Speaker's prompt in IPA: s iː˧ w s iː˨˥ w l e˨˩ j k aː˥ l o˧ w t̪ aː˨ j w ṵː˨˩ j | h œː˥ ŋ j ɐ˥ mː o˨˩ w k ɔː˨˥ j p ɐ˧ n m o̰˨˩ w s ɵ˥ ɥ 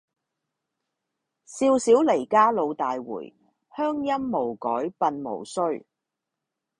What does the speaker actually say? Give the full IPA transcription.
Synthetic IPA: s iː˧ w s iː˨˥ w l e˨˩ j k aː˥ l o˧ w t̪ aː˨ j w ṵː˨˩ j | h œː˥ ŋ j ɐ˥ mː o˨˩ w k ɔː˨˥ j p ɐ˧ n m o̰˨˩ w s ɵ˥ ɥ